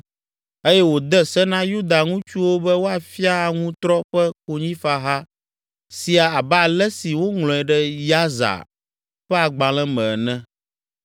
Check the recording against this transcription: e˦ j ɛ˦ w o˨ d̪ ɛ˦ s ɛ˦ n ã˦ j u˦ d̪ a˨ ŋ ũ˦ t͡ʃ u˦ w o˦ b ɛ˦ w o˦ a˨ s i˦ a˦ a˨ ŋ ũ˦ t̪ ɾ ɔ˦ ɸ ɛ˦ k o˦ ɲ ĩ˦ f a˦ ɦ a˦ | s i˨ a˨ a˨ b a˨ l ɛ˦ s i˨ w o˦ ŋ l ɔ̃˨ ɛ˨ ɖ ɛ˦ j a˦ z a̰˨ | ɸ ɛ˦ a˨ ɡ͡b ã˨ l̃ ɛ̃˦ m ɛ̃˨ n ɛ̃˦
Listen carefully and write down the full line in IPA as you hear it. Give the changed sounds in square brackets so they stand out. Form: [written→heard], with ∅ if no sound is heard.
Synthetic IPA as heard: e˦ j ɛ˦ w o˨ d̪ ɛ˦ s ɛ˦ n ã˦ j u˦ d̪ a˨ ŋ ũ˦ t͡ʃ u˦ w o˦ b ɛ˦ w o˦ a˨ [s→f] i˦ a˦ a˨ ŋ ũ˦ t̪ ɾ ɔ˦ ɸ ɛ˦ k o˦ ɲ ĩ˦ f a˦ ɦ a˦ | s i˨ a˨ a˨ b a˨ l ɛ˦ s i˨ w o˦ ŋ l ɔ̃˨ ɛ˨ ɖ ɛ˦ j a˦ z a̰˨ | ɸ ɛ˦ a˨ ɡ͡b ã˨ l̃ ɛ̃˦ m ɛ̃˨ n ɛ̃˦